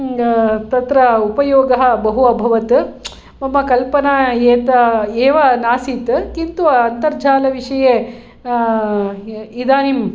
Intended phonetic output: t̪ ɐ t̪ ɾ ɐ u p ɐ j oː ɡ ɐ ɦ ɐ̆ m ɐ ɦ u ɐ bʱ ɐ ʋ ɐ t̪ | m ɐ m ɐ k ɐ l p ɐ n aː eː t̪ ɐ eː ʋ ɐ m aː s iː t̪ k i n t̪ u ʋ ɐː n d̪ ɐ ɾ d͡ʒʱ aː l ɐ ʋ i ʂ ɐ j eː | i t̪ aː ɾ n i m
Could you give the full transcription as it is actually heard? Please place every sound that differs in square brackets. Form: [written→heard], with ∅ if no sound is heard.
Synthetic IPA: t̪ ɐ t̪ ɾ ɐ u p ɐ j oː ɡ ɐ ɦ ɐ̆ [m→b] ɐ ɦ u ɐ bʱ ɐ ʋ ɐ t̪ | m ɐ m ɐ k ɐ l p ɐ n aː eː t̪ ɐ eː ʋ ɐ [m→n] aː s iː t̪ k i n t̪ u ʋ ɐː n [d̪→t̪] ɐ ɾ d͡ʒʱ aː l ɐ ʋ i ʂ ɐ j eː | i [t̪→d̪] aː [ɾ→∅] n i m